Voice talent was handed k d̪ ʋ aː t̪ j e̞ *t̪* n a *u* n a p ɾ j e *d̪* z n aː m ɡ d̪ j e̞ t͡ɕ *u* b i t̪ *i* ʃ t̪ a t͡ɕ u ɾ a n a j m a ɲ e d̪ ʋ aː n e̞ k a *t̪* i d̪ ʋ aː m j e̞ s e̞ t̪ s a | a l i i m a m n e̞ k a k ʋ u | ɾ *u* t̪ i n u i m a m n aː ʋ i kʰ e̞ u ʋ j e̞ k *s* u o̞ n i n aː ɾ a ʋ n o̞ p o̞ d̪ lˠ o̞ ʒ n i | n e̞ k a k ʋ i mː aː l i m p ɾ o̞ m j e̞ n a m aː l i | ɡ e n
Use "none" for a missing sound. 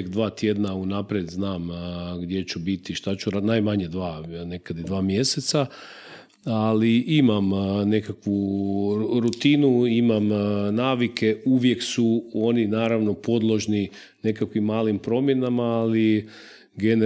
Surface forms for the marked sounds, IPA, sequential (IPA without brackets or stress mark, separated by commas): d̪, u, d̪, u, i, d̪, u, s